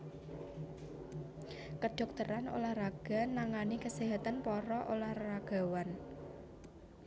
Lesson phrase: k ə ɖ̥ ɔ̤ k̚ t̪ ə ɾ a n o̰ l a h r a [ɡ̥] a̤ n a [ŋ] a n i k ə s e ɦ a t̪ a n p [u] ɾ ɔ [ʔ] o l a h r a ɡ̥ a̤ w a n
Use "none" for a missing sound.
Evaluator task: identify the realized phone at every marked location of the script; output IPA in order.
ɡ̥, ŋ, ɔ, ʔ

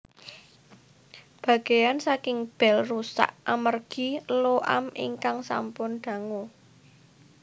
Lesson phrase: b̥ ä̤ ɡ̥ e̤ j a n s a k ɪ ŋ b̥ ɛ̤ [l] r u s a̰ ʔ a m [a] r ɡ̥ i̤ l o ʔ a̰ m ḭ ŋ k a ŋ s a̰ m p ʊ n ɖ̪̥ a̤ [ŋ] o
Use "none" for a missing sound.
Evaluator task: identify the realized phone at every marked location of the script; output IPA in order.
l, ə, ŋ

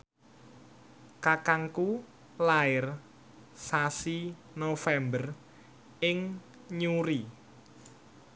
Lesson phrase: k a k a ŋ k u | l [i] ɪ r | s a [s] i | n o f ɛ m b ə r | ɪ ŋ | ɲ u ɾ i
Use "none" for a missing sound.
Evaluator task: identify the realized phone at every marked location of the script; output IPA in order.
a, s

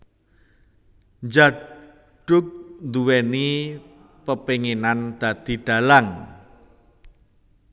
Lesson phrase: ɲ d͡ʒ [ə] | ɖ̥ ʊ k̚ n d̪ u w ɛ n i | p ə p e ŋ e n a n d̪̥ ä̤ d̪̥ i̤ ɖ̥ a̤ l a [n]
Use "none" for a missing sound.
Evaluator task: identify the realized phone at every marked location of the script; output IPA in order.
a, ŋ

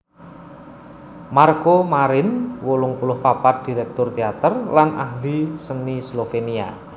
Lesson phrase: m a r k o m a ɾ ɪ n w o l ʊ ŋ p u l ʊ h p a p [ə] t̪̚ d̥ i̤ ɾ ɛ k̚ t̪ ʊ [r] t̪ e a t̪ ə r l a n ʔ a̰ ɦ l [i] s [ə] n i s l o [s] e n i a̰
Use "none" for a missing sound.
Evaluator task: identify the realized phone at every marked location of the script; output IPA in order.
a, r, i, ə, f

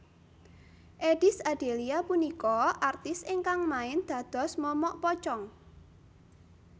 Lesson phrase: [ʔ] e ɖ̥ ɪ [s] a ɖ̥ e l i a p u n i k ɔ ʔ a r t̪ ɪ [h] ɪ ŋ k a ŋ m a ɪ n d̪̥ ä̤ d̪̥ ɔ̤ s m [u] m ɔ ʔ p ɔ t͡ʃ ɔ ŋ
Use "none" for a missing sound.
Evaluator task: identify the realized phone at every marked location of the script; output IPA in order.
ʔ, s, s, ɔ

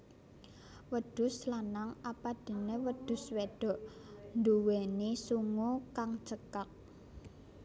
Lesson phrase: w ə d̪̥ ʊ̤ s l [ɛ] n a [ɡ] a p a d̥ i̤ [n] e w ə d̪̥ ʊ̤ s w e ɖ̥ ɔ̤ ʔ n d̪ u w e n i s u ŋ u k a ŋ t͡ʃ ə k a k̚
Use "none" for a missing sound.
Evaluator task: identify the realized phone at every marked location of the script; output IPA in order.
a, ŋ, n

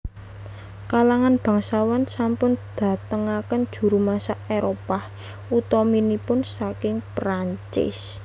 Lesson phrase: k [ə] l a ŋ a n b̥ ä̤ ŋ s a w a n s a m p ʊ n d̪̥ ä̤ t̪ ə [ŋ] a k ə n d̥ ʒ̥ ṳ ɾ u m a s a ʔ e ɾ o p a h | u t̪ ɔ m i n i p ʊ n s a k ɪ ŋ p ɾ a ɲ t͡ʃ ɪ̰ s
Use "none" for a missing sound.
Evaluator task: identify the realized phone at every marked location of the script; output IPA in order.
a, ŋ

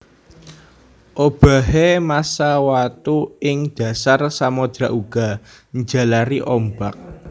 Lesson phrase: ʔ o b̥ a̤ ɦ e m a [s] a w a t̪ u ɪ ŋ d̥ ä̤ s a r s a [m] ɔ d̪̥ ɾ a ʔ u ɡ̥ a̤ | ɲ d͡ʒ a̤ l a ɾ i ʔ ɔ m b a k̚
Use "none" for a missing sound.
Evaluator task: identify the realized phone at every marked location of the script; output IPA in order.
s, m

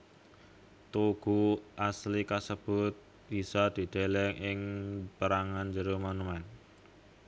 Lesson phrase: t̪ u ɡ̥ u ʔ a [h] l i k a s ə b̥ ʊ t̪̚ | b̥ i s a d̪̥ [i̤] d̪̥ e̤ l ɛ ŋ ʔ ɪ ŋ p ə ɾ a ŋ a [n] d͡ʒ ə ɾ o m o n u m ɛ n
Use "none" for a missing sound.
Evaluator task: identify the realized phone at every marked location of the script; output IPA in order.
s, i̤, n

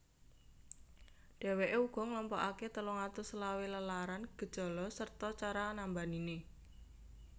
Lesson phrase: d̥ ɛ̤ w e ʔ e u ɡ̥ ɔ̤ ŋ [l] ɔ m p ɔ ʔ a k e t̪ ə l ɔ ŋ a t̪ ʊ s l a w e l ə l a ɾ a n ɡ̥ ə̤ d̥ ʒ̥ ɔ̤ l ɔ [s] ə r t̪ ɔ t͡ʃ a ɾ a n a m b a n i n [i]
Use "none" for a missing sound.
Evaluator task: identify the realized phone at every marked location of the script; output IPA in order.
l, s, e

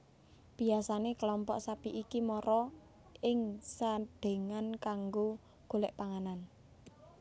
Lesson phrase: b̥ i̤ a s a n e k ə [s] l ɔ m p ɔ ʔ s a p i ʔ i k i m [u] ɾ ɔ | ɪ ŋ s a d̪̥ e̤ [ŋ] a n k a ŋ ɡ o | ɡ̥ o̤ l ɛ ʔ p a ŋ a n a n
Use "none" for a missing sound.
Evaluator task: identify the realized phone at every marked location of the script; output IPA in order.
none, ɔ, ŋ

